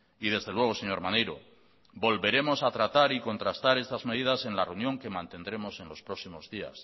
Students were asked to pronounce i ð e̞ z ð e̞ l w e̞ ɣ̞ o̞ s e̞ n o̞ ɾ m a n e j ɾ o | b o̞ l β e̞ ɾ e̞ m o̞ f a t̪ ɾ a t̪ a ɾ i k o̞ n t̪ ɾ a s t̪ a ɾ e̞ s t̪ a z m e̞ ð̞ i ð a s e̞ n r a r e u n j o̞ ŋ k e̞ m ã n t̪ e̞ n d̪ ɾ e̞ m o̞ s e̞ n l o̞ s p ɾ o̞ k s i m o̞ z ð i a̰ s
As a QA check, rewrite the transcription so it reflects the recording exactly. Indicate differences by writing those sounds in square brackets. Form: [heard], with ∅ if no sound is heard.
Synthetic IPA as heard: i ð e̞ z ð e̞ l w e̞ ɣ̞ o̞ s e̞ [ɲ] o̞ ɾ m a n e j ɾ o | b o̞ l β e̞ ɾ e̞ m o̞ [s] a t̪ ɾ a t̪ a ɾ i k o̞ n t̪ ɾ a s t̪ a ɾ e̞ s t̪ a z m e̞ ð̞ i ð a s e̞ n [l] a r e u n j o̞ ŋ k e̞ m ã n t̪ e̞ n d̪ ɾ e̞ m o̞ s e̞ n l o̞ s p ɾ o̞ k s i m o̞ z ð i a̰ s